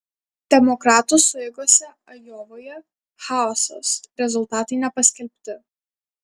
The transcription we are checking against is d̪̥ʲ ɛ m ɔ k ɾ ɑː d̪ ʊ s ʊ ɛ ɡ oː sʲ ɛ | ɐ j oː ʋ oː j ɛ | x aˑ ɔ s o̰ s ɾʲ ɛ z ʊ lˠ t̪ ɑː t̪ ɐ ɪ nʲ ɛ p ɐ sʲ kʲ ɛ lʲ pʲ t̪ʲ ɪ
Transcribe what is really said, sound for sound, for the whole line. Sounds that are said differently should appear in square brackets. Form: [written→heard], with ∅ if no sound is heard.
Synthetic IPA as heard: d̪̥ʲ ɛ m ɔ k ɾ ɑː [d̪→t̪] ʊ s ʊ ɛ ɡ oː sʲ ɛ | ɐ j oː ʋ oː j ɛ | x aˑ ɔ s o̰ s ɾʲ ɛ z ʊ lˠ t̪ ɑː t̪ ɐ ɪ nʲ ɛ p ɐ sʲ kʲ ɛ lʲ pʲ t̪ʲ ɪ